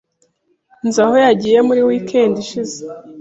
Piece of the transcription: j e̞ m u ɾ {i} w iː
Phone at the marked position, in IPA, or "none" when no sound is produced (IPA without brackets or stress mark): i